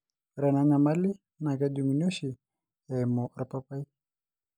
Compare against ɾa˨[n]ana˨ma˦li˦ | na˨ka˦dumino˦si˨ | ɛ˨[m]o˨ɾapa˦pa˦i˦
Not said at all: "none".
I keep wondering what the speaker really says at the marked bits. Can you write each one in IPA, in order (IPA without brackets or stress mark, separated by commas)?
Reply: n, m